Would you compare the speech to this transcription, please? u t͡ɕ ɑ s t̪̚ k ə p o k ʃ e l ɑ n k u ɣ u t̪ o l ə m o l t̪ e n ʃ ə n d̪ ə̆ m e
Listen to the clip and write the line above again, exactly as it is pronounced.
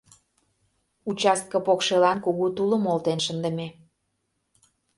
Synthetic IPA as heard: u t͡ɕ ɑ s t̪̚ k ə p o k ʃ e l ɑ n k u ɣ u t̪ u l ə m o l t̪ e n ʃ ə n d̪ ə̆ m e